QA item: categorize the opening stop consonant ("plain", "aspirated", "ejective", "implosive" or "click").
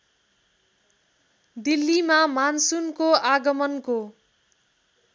plain